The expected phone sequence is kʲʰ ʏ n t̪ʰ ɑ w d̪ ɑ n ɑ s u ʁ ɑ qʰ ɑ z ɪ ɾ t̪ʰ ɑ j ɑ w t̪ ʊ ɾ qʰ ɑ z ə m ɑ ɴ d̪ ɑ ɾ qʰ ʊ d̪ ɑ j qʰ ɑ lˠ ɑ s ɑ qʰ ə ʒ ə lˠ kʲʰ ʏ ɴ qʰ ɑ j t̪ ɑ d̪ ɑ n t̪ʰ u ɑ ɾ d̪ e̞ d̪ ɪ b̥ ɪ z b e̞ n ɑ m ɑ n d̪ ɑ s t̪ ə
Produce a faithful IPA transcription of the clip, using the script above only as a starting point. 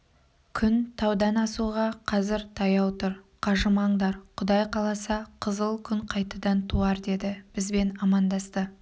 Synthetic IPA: kʲʰ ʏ n t̪ʰ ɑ w d̪ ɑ n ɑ s u ʁ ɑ qʰ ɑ z ɪ ɾ t̪ʰ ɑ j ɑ w t̪ ʊ ɾ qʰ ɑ ʒ ə m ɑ ɴ d̪ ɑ ɾ qʰ ʊ d̪ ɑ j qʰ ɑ lˠ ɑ s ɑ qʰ ə z ə lˠ kʲʰ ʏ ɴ qʰ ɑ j t̪ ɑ d̪ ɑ n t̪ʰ u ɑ ɾ d̪ e̞ d̪ ɪ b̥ ɪ z b e̞ n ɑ m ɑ n d̪ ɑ s t̪ ə